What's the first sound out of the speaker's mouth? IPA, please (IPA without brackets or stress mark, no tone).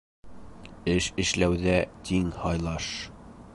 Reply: ɘ